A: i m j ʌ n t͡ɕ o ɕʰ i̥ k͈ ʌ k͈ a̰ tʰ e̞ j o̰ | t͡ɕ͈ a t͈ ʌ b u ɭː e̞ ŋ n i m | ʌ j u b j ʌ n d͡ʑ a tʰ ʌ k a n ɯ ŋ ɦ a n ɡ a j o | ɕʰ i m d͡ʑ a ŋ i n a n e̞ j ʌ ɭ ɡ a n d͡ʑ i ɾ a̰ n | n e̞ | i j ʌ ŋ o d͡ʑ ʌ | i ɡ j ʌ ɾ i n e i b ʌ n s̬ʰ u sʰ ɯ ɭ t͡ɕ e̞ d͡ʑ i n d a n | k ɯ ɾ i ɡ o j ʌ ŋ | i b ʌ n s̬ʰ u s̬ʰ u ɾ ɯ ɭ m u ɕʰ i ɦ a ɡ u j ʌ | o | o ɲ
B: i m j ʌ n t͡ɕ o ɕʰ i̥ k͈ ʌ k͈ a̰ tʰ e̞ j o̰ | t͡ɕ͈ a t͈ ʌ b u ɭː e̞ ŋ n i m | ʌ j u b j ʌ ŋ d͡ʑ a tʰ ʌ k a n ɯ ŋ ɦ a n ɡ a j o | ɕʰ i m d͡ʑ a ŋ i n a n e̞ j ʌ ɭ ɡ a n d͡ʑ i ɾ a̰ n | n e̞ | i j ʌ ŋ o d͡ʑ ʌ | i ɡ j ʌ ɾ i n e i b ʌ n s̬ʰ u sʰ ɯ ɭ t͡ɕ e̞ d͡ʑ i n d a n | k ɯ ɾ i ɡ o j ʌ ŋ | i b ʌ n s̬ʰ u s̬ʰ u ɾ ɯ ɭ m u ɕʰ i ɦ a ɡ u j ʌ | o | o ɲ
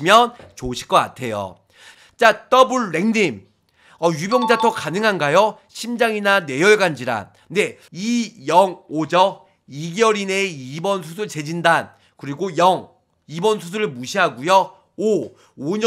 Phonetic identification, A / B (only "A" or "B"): B